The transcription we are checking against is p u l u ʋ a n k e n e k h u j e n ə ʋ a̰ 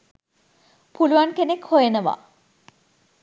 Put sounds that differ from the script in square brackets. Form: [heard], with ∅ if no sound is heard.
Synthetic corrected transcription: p u l u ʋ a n k e n e k h [o] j e n ə ʋ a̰